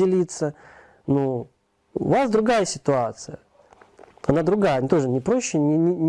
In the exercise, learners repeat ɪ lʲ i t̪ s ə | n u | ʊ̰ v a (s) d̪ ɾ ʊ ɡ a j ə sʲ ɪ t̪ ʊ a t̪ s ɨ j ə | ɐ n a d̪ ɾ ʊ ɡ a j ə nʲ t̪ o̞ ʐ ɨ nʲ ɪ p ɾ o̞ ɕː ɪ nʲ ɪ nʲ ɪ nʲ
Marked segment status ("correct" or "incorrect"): correct